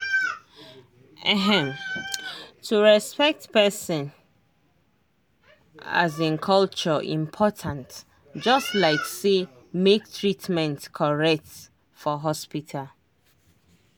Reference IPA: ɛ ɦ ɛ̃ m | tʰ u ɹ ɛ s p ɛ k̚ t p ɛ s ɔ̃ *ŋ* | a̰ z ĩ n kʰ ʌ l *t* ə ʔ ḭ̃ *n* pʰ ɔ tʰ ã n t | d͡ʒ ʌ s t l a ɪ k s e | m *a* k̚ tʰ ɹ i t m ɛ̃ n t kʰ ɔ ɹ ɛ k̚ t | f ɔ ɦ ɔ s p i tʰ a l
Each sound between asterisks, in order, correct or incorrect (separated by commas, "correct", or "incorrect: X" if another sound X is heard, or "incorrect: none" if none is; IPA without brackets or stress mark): incorrect: n, incorrect: t͡ʃ, incorrect: m, incorrect: e